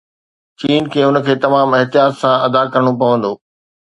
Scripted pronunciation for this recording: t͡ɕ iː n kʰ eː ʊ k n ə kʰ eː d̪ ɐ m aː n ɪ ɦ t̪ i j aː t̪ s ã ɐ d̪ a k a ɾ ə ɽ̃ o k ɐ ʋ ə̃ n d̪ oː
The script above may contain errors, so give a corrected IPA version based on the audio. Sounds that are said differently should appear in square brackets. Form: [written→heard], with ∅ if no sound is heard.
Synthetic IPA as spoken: t͡ɕ iː n kʰ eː ʊ [k→∅] n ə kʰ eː [d̪→t̪] ɐ m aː [n→m] ɪ ɦ t̪ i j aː t̪ s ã ɐ d̪ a k [a→ɐ] ɾ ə ɽ̃ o [k→p] ɐ ʋ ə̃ n d̪ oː